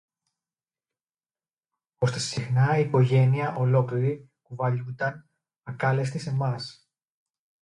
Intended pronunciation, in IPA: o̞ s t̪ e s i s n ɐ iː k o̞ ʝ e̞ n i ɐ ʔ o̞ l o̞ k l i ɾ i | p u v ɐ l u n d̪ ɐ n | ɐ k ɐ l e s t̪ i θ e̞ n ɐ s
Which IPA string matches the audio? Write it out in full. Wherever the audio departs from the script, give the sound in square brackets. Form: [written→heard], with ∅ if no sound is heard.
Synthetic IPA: o̞ s t̪ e s i [s→x] n ɐ iː k o̞ ʝ e̞ n i ɐ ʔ o̞ l o̞ k l i ɾ i | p u v ɐ [l→ʎ] u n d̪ ɐ n | ɐ k ɐ l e s t̪ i [θ→s] e̞ [n→m] ɐ s